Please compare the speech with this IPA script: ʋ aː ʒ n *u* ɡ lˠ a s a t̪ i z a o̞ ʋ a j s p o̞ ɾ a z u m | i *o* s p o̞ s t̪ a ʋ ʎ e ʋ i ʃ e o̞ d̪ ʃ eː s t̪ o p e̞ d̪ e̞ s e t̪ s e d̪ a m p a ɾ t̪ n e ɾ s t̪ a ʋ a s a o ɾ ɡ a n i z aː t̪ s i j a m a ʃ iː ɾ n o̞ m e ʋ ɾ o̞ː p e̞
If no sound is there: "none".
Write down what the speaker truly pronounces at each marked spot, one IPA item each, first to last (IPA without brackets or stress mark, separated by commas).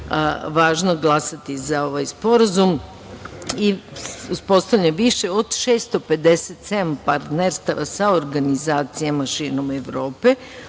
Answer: o, u